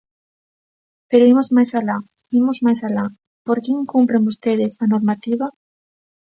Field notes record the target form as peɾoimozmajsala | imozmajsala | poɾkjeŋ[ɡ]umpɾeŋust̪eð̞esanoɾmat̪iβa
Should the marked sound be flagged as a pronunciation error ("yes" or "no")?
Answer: yes